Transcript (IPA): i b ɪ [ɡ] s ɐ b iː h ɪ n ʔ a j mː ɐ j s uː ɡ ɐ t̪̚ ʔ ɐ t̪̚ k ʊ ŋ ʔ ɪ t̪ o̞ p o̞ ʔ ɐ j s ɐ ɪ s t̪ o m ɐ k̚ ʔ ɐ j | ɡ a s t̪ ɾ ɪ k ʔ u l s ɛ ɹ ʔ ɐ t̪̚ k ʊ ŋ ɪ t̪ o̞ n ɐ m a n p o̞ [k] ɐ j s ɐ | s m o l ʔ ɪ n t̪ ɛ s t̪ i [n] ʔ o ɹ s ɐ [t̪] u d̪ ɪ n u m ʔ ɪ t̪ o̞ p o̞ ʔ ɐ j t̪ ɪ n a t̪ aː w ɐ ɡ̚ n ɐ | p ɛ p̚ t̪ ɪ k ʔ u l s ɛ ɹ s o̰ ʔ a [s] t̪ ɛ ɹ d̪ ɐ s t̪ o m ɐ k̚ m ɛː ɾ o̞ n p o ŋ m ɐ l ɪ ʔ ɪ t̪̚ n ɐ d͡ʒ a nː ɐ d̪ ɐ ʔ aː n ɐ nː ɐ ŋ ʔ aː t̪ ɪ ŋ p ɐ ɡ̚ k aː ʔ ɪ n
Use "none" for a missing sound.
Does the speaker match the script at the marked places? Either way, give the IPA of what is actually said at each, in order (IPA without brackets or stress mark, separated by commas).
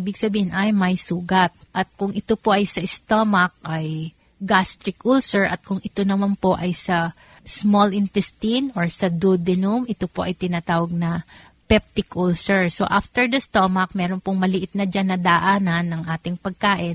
ɡ, ʔ, n, d̪, f